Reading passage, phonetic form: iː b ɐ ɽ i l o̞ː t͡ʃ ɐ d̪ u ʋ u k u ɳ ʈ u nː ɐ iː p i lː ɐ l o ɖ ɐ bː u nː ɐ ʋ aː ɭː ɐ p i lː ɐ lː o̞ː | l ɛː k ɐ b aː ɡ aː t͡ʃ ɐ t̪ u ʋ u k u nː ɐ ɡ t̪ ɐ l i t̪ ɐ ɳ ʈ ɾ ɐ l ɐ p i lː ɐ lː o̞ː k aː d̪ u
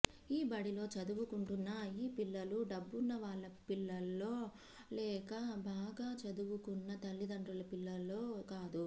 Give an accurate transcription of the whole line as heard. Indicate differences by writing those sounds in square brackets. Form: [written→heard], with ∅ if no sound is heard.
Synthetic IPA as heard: iː b ɐ ɽ i l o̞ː t͡ʃ ɐ d̪ u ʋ u k u ɳ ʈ u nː ɐ iː p i lː ɐ l [o→u] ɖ ɐ bː u nː ɐ ʋ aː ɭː ɐ p i lː ɐ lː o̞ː | l ɛː k ɐ b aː ɡ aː t͡ʃ ɐ [t̪→d̪] u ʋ u k u nː ɐ [ɡ→∅] t̪ ɐ [l→lː] i [t̪→d̪] ɐ ɳ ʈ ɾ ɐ l ɐ p i lː ɐ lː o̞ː k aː d̪ u